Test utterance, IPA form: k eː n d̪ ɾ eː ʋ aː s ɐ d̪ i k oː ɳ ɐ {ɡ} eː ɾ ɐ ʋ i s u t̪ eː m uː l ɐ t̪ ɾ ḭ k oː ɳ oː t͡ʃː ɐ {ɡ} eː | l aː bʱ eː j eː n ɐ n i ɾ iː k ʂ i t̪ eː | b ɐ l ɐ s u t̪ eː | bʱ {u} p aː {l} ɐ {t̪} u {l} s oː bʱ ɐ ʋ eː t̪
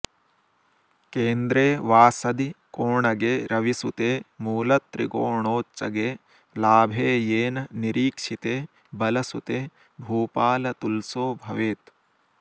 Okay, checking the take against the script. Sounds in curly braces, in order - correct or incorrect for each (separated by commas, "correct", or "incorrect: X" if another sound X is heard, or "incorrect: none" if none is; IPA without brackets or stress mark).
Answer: correct, correct, incorrect: uː, correct, correct, correct